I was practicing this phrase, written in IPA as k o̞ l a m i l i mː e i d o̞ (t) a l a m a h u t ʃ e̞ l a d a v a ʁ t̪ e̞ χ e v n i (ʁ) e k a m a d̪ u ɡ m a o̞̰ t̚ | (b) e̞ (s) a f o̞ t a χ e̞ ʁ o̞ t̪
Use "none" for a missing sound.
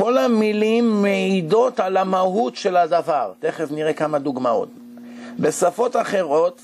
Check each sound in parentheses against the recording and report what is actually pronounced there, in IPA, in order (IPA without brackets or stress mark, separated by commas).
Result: t, ʁ, b, s